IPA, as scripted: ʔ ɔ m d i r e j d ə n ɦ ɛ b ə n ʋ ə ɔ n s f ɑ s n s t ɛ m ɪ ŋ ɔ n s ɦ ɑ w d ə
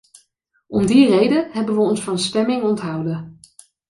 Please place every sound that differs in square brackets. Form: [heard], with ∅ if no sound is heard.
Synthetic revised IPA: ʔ ɔ m d i r e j d ə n ɦ ɛ b ə n ʋ ə ɔ n s f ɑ [∅] n s t ɛ m ɪ ŋ ɔ n [t] ɦ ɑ w d ə